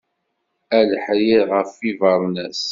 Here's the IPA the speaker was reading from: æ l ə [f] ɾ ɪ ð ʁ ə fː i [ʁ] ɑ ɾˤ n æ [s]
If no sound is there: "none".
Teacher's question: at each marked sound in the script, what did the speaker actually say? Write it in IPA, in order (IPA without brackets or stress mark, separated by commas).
ħ, v, s